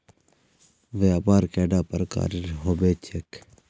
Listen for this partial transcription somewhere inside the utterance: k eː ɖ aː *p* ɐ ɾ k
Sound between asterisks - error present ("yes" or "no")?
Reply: no